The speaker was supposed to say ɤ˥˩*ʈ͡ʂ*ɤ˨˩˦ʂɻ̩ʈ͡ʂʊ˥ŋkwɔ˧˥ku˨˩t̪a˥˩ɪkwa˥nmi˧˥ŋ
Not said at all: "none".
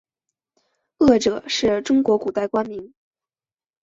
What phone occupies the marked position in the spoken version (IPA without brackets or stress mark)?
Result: ʈ͡ʂ